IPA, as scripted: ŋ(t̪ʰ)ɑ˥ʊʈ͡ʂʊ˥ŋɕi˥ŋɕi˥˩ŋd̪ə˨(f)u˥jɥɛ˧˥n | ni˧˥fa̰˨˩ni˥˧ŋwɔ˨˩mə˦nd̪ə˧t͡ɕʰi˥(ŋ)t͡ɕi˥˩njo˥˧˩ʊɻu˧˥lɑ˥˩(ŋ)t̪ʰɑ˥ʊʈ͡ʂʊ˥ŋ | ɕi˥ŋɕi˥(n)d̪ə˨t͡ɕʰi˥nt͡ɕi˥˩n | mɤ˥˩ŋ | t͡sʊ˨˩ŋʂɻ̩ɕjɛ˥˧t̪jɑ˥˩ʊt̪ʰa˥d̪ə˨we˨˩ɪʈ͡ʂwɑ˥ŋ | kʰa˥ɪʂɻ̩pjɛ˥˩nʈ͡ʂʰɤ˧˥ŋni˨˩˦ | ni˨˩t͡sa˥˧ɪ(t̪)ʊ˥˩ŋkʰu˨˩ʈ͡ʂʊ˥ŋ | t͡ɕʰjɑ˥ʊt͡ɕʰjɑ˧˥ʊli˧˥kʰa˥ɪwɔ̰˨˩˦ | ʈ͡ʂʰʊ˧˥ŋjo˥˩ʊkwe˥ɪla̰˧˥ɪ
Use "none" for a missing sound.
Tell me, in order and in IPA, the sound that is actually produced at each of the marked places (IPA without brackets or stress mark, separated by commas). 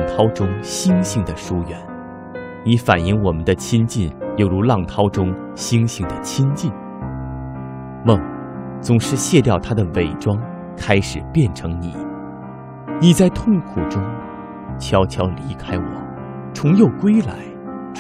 t̪ʰ, ʂ, n, ŋ, ŋ, t̪ʰ